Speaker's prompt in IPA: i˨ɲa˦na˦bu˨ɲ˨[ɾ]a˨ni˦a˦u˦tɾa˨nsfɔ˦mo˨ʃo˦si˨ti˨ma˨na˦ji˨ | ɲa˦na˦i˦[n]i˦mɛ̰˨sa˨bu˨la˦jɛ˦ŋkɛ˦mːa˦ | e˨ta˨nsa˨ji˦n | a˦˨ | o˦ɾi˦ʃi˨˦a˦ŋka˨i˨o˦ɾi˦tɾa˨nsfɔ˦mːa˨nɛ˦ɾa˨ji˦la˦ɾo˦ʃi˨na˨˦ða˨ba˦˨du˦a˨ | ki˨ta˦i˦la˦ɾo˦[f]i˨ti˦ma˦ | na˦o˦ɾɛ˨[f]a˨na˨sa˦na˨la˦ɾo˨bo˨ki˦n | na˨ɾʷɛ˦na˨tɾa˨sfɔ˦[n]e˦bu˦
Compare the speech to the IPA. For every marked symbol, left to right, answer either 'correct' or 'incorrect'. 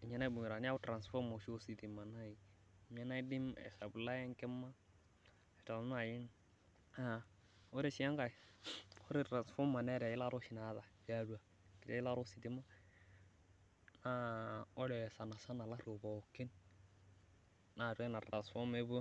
correct, incorrect, incorrect, incorrect, incorrect

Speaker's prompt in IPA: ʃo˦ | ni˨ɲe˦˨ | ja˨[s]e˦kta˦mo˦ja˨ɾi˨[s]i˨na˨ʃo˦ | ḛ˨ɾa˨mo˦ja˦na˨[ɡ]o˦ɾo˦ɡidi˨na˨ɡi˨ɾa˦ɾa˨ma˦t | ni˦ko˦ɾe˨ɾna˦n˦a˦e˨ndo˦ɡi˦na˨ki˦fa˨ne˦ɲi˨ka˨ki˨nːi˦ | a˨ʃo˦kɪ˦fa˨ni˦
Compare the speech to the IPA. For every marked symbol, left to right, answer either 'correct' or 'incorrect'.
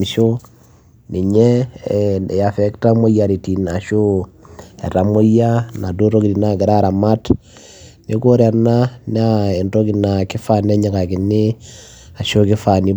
incorrect, incorrect, incorrect

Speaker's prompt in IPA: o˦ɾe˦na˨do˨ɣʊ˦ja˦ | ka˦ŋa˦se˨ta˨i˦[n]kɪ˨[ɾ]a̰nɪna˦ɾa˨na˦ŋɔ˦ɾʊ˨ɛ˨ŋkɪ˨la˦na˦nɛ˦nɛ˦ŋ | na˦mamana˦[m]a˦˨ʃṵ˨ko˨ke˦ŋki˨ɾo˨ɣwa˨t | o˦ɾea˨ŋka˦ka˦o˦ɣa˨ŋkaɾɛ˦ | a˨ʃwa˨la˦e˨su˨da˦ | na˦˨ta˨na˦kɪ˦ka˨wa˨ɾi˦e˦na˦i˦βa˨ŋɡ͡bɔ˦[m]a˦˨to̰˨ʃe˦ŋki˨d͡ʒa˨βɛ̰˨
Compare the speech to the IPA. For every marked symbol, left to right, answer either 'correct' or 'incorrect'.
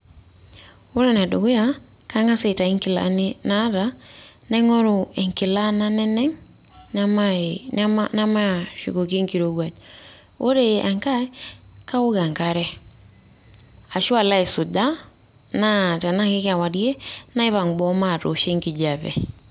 incorrect, incorrect, correct, correct

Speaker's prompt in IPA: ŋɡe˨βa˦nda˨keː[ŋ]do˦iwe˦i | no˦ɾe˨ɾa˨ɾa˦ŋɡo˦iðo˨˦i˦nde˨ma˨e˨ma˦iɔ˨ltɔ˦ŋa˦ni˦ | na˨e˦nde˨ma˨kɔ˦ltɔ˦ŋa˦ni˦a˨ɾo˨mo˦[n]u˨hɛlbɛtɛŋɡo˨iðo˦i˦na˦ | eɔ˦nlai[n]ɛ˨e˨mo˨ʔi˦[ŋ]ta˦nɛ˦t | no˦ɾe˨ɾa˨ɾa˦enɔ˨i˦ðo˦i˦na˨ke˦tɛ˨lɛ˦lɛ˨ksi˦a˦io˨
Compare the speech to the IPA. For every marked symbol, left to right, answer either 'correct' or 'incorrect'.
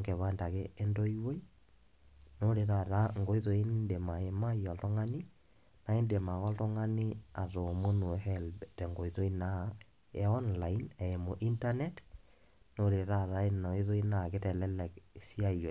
incorrect, correct, correct, incorrect

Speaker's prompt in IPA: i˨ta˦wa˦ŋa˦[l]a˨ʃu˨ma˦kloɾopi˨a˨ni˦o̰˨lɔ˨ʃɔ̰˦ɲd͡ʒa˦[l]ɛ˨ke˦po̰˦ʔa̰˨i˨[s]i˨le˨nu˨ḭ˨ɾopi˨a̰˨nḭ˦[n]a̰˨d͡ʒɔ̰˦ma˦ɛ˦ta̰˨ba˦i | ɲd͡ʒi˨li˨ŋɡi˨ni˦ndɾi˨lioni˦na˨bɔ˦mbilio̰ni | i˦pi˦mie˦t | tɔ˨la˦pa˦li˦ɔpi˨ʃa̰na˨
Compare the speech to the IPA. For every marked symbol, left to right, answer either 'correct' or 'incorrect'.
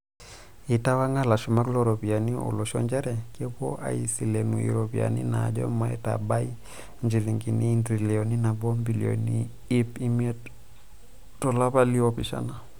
correct, incorrect, correct, correct

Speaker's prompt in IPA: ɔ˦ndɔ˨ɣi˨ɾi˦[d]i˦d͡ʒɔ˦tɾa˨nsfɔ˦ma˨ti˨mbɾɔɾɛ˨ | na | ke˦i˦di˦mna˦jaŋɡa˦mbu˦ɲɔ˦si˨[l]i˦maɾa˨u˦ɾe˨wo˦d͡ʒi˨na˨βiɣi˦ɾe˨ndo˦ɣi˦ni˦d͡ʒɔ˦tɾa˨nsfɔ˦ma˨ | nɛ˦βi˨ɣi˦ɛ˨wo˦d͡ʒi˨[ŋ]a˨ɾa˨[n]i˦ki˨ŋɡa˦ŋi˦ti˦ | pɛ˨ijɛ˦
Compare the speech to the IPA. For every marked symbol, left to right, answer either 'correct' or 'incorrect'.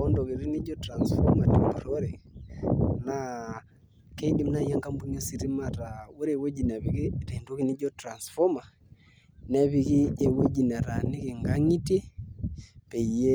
incorrect, incorrect, incorrect, correct

